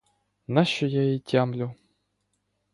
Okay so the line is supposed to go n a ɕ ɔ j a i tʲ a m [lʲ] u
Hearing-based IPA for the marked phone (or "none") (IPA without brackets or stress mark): lʲ